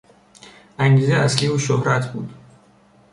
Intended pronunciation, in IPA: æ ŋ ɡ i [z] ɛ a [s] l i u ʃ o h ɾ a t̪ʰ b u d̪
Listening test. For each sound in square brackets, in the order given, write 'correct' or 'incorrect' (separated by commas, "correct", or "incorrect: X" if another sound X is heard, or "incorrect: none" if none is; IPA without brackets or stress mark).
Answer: correct, correct